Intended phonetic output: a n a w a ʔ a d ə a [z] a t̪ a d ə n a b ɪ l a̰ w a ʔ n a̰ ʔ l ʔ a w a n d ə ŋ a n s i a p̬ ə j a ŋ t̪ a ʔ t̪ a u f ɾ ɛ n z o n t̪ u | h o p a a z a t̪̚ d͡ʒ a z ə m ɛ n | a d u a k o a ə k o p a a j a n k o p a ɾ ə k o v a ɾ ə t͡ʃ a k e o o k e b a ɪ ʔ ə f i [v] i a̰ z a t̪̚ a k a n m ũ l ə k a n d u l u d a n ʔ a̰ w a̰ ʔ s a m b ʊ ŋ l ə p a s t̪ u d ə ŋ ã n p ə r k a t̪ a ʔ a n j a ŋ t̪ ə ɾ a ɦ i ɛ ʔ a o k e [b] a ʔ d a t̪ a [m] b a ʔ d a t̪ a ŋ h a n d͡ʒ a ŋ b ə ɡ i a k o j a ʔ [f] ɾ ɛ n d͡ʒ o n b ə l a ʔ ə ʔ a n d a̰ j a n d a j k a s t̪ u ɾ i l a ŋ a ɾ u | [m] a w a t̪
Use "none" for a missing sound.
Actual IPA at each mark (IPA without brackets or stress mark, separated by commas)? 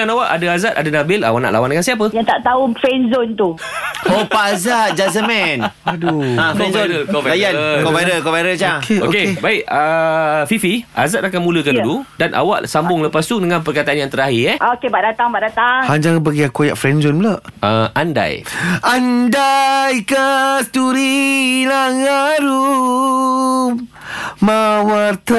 z, f, b, ŋ, f, m